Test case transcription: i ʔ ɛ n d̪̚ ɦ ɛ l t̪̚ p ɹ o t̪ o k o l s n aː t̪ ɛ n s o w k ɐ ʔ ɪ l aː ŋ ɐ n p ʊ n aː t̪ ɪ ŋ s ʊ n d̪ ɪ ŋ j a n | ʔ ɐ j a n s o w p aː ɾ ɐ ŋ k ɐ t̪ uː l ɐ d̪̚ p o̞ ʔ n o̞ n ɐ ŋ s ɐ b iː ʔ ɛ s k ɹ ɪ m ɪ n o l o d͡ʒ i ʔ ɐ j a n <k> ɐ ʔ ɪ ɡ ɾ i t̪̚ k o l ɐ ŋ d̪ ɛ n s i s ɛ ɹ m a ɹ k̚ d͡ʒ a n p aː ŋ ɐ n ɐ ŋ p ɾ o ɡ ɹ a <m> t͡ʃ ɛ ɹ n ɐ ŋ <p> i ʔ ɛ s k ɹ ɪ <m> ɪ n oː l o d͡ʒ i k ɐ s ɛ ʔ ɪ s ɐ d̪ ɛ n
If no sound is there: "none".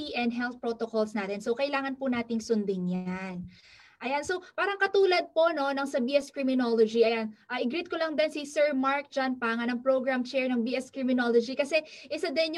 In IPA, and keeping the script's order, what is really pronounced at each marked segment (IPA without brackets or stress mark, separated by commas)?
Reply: ʔ, m, b, m